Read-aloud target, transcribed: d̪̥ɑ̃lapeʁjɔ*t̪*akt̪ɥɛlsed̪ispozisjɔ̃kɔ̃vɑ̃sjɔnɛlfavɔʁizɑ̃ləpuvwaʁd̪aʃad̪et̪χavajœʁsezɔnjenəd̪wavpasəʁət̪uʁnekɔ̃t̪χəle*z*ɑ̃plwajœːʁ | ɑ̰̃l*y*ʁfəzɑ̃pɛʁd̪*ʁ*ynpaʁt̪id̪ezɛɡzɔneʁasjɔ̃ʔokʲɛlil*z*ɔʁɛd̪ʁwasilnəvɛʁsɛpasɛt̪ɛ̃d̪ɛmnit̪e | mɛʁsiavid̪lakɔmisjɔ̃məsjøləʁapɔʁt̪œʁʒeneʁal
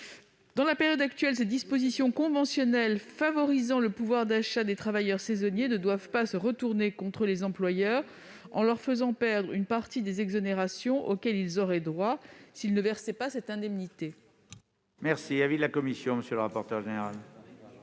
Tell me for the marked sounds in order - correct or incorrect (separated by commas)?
incorrect, correct, incorrect, correct, correct